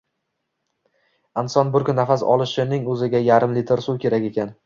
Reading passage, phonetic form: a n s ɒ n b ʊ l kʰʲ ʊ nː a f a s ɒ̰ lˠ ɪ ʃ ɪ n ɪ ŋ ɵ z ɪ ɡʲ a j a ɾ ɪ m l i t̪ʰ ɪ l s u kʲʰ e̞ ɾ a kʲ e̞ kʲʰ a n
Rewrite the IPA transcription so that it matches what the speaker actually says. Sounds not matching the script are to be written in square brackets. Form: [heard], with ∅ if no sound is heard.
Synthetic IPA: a n s ɒ n b ʊ [ɾ] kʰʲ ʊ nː a f a s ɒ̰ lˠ ɪ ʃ ɪ n ɪ ŋ ɵ z ɪ ɡʲ a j a ɾ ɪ m l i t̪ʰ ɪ [ɾ] s u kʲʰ e̞ ɾ a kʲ e̞ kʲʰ a n